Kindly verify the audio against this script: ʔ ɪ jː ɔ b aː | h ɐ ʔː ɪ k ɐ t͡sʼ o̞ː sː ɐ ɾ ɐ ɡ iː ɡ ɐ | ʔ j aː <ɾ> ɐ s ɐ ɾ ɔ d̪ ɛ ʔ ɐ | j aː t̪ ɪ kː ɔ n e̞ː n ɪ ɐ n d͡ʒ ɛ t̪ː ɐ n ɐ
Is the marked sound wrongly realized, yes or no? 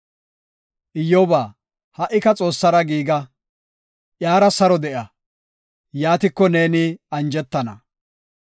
no